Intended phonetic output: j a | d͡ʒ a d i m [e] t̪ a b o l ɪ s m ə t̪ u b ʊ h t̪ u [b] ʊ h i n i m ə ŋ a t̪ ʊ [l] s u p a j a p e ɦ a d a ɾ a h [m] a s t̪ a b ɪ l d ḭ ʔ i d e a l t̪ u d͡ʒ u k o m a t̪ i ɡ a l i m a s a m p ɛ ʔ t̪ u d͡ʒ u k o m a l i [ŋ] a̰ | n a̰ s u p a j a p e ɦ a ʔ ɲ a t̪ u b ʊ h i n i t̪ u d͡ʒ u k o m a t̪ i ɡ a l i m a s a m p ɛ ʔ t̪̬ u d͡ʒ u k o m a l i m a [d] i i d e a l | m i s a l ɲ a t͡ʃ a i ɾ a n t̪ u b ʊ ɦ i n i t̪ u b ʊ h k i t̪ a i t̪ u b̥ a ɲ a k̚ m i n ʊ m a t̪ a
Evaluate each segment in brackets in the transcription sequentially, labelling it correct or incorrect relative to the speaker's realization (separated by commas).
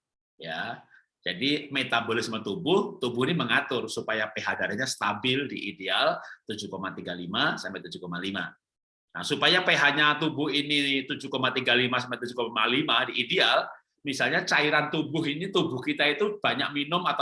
correct, correct, incorrect, incorrect, incorrect, correct